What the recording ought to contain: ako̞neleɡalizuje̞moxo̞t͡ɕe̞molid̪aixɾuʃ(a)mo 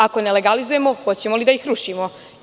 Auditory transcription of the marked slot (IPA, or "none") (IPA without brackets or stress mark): i